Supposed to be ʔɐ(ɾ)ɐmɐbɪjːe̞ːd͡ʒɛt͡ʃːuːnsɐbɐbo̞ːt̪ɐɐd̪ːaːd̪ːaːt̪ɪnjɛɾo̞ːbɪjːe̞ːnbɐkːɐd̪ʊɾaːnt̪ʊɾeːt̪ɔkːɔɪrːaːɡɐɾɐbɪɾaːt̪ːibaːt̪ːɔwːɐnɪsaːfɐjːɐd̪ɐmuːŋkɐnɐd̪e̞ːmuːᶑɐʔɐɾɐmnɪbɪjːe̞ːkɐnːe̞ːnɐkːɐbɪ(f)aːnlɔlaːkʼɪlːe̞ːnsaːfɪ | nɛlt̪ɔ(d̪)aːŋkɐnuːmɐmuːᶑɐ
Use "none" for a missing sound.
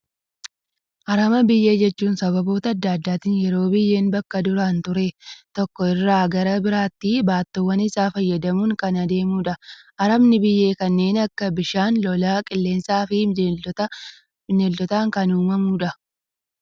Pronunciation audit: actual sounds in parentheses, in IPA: ɾ, ʃ, t̪

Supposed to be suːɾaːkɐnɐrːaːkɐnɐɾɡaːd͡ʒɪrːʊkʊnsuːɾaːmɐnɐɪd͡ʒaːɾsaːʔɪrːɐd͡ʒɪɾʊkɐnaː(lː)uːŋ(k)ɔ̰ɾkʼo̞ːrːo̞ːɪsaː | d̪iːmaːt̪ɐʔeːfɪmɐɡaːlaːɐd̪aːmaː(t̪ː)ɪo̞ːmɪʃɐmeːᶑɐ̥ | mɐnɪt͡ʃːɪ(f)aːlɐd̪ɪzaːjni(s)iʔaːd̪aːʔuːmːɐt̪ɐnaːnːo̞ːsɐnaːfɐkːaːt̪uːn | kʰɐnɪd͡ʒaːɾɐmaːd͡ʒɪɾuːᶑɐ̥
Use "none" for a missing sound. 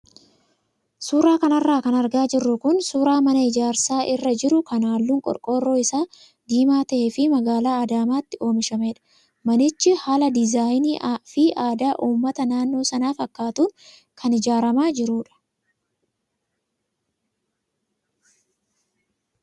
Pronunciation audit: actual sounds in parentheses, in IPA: lː, kʼ, t̪ː, h, f

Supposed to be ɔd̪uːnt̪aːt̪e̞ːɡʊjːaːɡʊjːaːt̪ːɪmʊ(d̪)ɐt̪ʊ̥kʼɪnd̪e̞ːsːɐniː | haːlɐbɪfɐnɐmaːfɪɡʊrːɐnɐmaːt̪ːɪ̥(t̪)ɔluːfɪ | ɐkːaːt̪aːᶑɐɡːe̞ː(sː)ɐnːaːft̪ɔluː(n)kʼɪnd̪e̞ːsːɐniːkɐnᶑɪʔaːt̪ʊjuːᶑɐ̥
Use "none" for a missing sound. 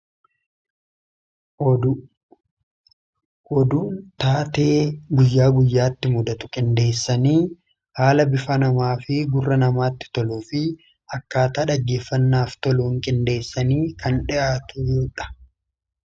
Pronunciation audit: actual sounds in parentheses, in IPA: d̪, t̪, fː, ŋ

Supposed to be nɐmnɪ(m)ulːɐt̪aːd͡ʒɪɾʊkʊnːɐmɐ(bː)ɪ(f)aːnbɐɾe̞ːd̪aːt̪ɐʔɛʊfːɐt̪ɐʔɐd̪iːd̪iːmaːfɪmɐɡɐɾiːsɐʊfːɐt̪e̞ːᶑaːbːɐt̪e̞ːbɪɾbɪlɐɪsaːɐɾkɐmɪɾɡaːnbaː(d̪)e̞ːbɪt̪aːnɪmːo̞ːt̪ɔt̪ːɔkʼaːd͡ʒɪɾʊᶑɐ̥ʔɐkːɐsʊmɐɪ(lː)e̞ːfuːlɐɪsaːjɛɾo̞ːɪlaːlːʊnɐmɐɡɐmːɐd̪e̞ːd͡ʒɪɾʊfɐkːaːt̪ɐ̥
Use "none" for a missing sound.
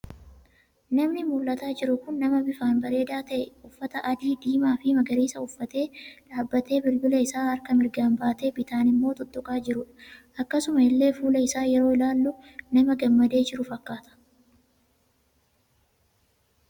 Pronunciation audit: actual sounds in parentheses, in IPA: m, b, f, t̪, lː

